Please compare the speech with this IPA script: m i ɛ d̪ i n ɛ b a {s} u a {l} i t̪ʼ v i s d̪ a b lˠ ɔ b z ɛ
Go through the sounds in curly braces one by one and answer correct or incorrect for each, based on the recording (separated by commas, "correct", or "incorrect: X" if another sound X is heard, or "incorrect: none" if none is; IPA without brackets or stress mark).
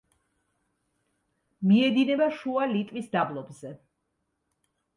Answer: incorrect: ʃ, correct